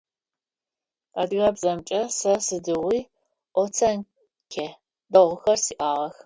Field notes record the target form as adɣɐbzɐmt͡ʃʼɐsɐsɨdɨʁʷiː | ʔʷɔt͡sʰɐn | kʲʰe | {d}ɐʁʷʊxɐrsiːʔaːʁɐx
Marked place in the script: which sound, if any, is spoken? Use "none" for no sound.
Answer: d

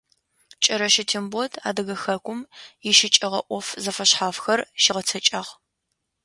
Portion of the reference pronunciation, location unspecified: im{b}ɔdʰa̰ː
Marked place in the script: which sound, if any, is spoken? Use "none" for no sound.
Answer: b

